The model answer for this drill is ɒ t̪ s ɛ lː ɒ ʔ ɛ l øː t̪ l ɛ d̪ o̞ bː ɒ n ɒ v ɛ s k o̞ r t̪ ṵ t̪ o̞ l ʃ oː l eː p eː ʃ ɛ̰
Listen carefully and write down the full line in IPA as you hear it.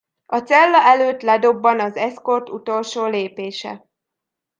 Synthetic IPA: ɒ t̪ s ɛ lː ɒ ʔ ɛ l øː t̪ l ɛ d̪ o̞ bː ɒ n ɒ z ɛ s k o̞ r t̪ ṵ t̪ o̞ l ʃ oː l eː p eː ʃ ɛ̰